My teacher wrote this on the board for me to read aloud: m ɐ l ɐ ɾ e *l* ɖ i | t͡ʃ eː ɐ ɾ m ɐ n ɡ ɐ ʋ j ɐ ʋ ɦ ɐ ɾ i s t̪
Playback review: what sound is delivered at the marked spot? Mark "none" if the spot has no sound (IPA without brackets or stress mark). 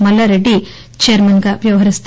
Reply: none